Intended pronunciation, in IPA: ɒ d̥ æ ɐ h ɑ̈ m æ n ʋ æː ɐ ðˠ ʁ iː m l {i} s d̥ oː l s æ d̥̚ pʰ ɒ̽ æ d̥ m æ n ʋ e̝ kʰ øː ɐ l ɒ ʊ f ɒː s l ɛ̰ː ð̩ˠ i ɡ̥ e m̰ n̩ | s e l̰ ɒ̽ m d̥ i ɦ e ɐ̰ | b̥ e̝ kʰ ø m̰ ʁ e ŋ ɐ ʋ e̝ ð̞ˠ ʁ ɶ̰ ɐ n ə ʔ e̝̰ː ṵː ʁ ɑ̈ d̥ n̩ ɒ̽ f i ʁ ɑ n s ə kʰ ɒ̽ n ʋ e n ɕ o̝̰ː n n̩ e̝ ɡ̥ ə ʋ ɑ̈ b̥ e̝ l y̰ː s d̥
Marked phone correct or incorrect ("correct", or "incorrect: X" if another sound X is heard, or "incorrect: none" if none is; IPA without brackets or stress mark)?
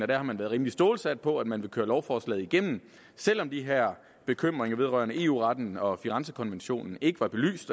correct